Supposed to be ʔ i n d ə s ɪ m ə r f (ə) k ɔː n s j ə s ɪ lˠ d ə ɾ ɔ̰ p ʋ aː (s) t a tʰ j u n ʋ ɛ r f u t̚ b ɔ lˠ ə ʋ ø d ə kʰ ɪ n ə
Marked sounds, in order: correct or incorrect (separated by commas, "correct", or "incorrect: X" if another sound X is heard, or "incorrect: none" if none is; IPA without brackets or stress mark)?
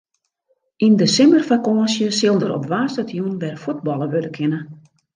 incorrect: a, correct